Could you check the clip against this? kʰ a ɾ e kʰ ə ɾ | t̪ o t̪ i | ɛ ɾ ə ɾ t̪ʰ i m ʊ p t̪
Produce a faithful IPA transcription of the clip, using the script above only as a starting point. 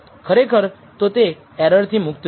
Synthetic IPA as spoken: kʰ ə ɾ e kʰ ə ɾ | t̪ o t̪ e | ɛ ɾ ə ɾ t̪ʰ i m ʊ k t̪